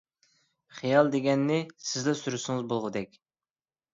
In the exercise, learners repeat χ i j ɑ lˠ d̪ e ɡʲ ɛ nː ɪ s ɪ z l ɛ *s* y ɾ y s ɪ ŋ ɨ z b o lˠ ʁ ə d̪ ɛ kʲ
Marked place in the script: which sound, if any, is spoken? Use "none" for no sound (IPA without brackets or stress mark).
s